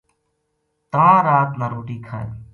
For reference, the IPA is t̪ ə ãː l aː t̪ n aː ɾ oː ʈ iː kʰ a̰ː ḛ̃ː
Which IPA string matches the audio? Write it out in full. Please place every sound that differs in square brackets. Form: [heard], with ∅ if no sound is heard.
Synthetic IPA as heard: t̪ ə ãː [ɾ] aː t̪ n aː ɾ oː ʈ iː kʰ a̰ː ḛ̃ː